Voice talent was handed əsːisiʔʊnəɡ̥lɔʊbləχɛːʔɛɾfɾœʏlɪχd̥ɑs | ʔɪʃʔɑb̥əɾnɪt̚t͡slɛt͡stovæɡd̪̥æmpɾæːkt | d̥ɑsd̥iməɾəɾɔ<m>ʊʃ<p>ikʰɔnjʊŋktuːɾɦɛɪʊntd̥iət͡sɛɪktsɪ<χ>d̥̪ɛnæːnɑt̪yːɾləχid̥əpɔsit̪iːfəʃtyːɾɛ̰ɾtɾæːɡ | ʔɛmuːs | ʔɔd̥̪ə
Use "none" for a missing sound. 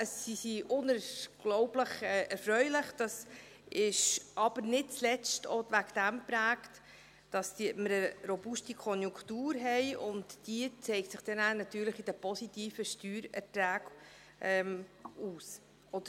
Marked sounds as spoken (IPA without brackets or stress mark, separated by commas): b, t, χ